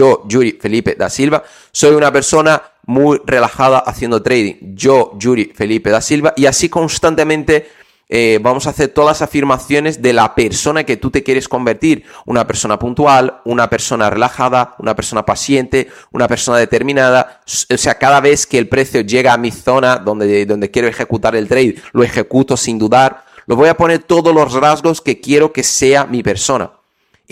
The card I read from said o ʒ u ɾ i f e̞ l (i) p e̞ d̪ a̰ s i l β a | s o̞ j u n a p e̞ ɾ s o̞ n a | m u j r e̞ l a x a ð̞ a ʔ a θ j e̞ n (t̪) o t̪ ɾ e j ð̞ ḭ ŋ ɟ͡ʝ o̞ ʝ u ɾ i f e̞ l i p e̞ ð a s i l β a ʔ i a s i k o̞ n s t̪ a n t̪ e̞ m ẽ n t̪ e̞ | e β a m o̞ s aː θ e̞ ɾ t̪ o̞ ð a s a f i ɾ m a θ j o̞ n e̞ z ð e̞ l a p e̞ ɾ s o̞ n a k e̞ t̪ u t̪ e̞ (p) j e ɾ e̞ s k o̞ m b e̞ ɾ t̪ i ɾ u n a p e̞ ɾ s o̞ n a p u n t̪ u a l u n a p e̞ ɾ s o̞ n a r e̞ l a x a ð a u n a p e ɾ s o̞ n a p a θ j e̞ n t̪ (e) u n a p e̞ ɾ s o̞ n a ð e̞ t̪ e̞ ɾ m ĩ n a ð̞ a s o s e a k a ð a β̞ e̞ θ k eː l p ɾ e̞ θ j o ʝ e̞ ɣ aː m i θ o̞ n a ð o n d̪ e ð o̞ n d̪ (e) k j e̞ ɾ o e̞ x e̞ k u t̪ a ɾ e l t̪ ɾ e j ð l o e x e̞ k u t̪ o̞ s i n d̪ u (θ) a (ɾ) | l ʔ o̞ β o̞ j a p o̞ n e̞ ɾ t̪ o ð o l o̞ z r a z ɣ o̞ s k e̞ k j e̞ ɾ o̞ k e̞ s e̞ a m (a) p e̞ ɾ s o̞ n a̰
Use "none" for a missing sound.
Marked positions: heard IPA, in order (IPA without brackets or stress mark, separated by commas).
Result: i, d̪, k, e, e, ð, ɾ, i